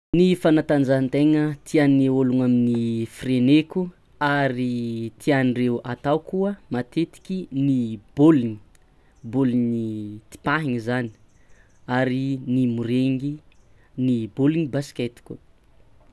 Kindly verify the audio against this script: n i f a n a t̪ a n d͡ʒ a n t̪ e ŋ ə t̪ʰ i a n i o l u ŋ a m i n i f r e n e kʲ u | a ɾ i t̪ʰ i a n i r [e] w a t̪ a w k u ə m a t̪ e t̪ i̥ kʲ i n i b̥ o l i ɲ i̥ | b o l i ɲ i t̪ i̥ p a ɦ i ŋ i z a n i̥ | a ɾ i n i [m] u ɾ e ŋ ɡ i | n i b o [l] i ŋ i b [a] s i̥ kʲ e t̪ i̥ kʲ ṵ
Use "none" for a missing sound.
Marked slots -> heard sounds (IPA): e, m, l, a

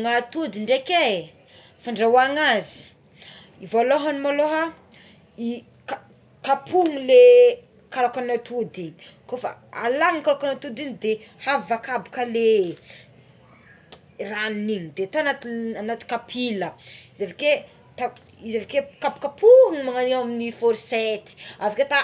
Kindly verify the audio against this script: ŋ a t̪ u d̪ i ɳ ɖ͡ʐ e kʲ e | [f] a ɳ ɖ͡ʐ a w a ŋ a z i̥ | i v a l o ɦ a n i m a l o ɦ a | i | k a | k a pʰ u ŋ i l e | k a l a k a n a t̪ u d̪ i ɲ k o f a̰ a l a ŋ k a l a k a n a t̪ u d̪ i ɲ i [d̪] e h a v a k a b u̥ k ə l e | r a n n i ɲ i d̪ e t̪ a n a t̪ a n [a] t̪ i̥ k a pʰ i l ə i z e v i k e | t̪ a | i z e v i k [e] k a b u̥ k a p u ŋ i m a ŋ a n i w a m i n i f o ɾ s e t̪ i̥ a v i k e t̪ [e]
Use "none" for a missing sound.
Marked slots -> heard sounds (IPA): f, d̪, a, e, a

